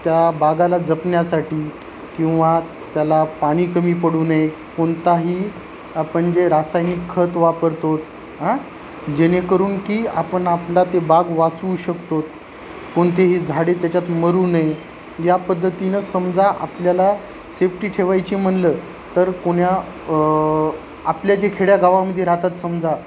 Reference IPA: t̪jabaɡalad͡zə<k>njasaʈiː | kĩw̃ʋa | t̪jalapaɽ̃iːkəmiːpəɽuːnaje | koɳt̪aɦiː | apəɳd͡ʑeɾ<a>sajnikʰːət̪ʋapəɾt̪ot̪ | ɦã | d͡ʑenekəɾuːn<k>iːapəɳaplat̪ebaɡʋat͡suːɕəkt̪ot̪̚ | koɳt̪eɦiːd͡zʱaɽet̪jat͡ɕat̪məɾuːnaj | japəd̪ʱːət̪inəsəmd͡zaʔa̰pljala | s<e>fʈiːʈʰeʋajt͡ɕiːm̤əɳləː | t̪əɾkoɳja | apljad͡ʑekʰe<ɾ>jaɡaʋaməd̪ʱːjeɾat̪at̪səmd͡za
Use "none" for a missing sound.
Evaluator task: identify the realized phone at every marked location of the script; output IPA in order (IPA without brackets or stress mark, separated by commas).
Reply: p, a, k, e, ɽ